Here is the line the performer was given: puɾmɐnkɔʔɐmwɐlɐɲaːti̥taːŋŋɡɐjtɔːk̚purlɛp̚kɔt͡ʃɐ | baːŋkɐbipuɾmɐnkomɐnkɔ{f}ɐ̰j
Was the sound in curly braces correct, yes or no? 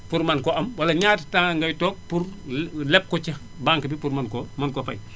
yes